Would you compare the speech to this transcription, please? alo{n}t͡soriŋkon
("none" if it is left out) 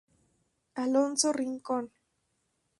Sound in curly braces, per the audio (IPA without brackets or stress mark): n